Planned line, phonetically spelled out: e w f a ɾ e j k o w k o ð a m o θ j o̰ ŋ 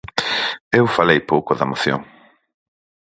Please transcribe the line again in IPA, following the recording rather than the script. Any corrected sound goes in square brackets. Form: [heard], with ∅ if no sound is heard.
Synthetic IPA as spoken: e w f a [l] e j [p] o w k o ð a m o θ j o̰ ŋ